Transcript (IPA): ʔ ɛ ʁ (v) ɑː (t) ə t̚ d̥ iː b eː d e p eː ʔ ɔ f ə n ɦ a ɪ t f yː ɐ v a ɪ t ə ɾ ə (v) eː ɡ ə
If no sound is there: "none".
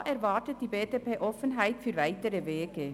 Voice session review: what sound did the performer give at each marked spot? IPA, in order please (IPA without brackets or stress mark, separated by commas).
v, t, v